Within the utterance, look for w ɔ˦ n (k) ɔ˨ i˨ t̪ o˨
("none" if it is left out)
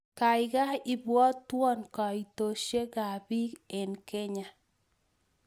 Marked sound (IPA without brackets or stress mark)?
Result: k